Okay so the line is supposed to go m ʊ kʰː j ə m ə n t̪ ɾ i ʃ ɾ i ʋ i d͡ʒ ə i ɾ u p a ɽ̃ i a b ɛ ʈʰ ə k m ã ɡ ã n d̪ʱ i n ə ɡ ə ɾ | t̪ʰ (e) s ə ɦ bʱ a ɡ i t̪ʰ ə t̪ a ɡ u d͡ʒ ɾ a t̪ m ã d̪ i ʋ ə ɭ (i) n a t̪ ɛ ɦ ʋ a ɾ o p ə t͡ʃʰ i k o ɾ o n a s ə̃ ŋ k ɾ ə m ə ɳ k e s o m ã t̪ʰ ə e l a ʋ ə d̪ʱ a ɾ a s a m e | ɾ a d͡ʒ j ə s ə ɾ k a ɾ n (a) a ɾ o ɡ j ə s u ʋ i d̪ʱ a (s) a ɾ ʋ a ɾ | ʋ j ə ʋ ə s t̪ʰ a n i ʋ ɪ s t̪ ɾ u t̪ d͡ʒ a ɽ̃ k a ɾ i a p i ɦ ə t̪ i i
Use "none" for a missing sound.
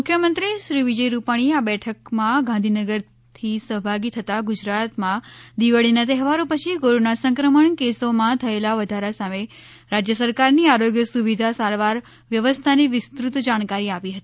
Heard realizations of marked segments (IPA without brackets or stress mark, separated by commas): i, i, i, s